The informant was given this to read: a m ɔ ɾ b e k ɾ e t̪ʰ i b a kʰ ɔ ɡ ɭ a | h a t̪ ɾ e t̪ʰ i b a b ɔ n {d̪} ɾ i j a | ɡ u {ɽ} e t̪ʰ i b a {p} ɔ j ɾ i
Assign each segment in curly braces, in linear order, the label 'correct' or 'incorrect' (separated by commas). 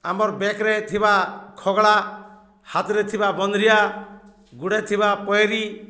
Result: correct, correct, correct